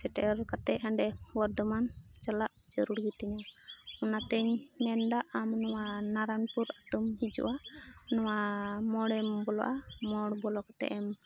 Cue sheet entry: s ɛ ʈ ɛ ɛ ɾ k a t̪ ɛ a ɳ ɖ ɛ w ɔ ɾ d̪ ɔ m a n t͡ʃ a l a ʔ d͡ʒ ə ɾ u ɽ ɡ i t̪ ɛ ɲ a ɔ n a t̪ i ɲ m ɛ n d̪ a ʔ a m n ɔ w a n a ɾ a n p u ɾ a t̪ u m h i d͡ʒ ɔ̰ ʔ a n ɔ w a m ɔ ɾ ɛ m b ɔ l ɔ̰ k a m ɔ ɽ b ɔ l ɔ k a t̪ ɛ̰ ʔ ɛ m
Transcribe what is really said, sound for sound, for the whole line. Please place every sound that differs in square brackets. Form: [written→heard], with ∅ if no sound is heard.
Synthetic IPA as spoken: s ɛ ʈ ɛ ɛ ɾ k a t̪ ɛ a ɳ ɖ ɛ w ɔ ɾ d̪ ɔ m a n t͡ʃ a l a ʔ d͡ʒ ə ɾ u ɽ ɡ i t̪ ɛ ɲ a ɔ n a t̪ [i→ɛ] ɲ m ɛ n d̪ a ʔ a m n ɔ w a n a ɾ a n p u ɾ a t̪ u m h i d͡ʒ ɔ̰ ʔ a n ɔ w a m ɔ [ɾ→ɽ] ɛ m b ɔ l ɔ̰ [k→ʔ] a m ɔ ɽ b ɔ l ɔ k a t̪ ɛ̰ ʔ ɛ m